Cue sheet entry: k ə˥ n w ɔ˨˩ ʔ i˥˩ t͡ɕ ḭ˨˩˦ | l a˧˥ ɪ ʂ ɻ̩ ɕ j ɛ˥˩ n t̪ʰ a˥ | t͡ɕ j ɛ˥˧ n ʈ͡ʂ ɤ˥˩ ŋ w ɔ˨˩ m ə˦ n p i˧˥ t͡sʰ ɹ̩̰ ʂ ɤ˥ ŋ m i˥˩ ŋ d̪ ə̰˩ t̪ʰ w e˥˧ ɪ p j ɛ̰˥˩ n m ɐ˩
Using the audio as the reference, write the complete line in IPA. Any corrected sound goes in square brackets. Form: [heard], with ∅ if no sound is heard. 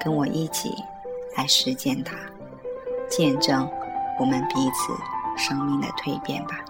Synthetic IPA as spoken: k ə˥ n w ɔ˨˩ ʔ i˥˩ [t͡ɕʰ] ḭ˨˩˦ | l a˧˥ ɪ ʂ ɻ̩ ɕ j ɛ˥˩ n t̪ʰ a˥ | t͡ɕ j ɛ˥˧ n ʈ͡ʂ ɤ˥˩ ŋ w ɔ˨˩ m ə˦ n p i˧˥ t͡sʰ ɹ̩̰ ʂ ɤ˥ ŋ m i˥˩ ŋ d̪ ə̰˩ t̪ʰ w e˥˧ ɪ p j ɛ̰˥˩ n [b] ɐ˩